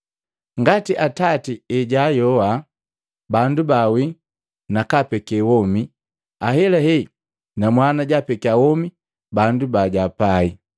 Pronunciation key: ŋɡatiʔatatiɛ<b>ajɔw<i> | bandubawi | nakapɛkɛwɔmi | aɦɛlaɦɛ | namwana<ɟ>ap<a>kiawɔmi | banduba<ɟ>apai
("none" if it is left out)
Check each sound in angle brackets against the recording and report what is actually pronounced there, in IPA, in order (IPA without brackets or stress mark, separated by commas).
ɟ, a, ɟ, ɛ, ɟ